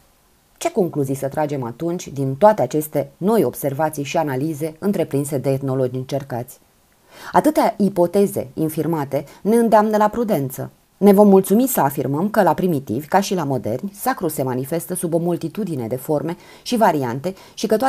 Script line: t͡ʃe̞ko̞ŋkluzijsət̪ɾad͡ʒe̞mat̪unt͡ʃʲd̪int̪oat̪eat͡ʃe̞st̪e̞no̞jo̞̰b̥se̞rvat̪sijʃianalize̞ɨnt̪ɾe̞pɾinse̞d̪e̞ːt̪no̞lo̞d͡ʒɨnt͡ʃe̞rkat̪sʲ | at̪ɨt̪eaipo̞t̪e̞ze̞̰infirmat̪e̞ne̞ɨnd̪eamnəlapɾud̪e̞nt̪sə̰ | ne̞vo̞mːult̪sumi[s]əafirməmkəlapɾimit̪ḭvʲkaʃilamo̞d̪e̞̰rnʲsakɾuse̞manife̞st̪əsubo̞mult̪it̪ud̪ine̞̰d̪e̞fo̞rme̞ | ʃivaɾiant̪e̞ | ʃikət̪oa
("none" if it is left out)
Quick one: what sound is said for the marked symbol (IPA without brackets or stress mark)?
s